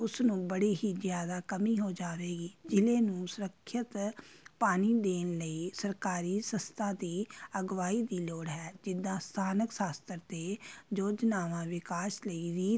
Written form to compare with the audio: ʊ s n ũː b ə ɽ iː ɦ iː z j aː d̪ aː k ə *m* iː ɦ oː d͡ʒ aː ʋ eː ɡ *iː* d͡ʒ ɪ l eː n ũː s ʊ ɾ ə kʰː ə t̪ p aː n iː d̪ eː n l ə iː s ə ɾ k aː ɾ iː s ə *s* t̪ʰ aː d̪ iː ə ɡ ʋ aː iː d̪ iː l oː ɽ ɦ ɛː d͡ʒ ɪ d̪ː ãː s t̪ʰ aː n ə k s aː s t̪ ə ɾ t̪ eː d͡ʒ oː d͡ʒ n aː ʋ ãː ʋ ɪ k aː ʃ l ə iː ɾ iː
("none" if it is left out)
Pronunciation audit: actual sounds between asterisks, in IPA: m, iː, s

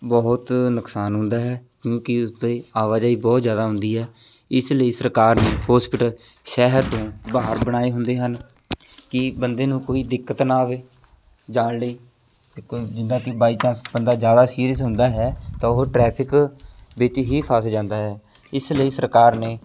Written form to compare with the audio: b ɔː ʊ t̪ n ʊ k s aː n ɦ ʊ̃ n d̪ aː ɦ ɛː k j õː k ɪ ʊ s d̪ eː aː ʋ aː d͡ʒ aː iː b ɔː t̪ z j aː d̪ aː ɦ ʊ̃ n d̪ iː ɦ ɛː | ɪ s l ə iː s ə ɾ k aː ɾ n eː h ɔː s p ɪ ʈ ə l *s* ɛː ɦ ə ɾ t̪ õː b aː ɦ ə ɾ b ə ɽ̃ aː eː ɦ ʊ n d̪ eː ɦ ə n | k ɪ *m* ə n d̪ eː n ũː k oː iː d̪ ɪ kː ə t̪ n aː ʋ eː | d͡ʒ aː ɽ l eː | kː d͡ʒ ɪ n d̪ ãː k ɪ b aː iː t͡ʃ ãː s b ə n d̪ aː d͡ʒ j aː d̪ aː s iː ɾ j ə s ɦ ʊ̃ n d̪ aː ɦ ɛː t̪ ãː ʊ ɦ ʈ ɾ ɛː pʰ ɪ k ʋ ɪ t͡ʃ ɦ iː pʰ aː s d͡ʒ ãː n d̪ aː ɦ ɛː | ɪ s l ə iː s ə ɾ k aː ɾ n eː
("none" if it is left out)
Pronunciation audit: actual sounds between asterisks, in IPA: ʃ, b

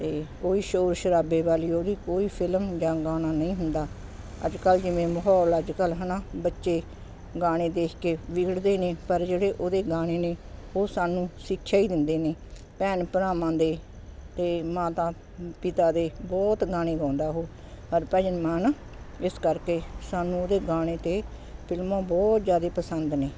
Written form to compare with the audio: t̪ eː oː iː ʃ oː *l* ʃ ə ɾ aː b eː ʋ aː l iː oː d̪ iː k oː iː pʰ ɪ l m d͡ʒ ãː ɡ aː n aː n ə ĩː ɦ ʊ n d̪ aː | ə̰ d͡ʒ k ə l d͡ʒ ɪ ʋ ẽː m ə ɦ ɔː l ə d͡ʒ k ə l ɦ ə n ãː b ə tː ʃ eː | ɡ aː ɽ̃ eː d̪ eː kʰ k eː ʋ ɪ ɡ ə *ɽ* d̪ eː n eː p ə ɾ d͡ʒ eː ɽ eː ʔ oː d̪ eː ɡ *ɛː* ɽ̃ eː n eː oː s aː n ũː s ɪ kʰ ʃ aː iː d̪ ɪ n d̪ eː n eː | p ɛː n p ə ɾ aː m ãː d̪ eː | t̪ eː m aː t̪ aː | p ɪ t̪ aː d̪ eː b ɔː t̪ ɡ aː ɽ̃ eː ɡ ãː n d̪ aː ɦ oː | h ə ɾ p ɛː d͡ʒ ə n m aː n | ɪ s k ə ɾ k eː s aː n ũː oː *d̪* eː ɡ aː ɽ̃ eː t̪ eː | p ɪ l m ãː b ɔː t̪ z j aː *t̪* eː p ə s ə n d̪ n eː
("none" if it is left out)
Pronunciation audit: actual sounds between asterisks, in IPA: ɾ, ɽ, aː, d̪, d̪

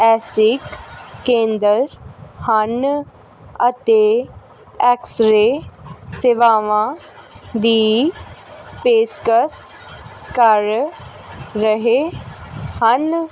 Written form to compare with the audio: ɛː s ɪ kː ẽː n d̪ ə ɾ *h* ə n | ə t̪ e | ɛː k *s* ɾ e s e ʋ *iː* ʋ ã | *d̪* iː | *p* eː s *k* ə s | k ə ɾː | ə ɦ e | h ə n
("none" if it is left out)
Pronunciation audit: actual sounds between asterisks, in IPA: h, s, aː, d̪, p, k

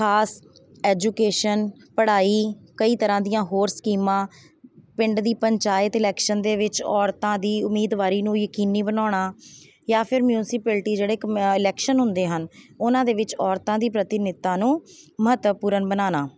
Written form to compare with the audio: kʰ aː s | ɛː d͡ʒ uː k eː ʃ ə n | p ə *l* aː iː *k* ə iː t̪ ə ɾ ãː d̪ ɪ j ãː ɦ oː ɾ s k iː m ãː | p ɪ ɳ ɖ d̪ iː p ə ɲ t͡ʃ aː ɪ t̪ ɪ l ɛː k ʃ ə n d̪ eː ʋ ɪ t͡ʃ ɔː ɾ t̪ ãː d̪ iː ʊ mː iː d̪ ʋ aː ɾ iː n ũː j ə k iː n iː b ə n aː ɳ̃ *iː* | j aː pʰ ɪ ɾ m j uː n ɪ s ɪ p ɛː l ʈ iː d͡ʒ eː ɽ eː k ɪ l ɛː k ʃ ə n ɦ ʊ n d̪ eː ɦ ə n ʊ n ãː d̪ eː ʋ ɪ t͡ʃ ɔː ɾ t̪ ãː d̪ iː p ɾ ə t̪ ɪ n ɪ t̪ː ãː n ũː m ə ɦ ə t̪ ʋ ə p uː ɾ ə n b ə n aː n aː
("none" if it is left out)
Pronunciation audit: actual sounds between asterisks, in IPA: ɽ, k, aː

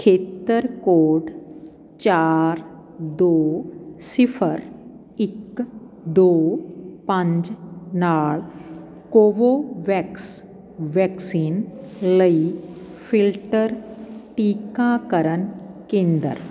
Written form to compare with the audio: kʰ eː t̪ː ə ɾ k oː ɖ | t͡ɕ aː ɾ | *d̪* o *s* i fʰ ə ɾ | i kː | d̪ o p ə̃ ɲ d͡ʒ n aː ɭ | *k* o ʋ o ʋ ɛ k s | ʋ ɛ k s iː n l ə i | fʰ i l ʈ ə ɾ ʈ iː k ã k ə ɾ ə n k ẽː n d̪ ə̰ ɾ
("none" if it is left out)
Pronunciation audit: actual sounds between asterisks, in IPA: d̪, s, k

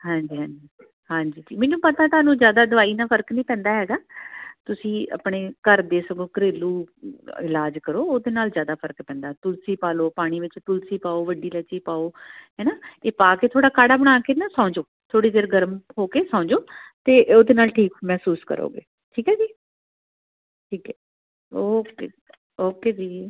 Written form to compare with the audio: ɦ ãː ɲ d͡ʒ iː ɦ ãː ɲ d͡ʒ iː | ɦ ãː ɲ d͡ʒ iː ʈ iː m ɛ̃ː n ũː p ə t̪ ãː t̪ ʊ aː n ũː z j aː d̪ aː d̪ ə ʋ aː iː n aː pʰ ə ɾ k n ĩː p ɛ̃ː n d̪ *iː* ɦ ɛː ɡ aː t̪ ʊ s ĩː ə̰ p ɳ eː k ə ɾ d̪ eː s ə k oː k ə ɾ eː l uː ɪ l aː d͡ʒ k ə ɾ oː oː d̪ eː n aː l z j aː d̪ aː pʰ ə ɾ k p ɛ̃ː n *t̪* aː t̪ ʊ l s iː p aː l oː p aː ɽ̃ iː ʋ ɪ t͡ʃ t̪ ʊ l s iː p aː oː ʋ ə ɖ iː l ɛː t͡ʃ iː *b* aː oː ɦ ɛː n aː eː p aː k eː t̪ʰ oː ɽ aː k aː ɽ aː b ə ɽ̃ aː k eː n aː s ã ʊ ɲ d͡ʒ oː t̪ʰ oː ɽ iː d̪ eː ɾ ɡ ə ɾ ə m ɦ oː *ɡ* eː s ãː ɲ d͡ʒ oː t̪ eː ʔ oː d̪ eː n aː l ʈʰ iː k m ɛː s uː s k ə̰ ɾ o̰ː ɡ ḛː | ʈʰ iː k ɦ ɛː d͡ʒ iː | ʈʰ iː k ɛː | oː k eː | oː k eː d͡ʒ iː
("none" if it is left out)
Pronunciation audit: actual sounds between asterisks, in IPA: aː, d̪, p, k

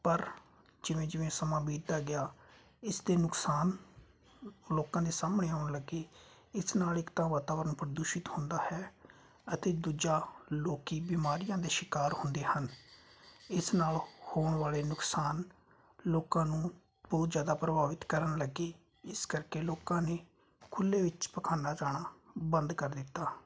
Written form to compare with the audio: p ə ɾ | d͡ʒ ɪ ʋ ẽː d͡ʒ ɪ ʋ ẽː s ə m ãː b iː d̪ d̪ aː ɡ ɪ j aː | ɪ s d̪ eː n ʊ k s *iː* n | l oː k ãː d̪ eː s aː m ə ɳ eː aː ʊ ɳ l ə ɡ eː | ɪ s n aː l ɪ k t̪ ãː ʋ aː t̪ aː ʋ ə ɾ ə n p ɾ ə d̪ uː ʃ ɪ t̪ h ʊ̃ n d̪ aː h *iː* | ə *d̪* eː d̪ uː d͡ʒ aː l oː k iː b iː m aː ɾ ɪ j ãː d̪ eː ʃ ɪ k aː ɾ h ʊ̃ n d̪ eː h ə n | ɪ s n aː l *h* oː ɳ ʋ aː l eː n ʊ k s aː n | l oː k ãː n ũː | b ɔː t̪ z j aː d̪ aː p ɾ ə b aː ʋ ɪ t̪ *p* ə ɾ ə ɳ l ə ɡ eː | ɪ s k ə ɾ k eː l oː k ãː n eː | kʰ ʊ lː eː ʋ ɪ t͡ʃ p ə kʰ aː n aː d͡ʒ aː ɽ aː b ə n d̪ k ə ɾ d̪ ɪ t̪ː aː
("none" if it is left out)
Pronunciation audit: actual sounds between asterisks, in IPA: aː, ɛː, t̪, h, k

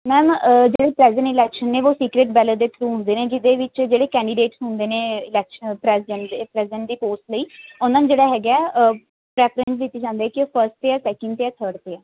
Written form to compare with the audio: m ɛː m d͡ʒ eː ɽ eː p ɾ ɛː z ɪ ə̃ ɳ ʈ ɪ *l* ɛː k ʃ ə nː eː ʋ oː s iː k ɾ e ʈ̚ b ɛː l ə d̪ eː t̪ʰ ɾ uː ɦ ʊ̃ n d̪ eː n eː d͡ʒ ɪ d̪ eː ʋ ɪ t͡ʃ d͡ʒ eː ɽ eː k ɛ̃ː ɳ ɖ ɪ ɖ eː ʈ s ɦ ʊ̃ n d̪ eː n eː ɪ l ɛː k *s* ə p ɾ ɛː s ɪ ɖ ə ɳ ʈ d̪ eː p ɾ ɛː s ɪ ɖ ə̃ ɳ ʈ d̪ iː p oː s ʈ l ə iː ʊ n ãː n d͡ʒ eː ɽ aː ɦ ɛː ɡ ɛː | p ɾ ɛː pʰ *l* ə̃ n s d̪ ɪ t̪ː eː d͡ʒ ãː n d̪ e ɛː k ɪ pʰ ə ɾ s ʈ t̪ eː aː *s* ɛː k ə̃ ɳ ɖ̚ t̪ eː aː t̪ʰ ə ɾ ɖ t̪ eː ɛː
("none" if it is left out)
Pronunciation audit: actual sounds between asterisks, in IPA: l, ʃ, ɾ, s

